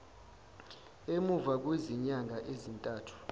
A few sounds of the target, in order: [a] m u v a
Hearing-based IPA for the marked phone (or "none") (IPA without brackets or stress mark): e